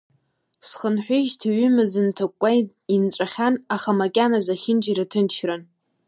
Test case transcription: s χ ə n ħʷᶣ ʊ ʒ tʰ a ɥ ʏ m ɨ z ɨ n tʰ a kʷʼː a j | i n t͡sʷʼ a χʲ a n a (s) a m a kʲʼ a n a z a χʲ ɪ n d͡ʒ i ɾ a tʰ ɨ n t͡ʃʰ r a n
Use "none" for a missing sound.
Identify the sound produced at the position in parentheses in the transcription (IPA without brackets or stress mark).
χ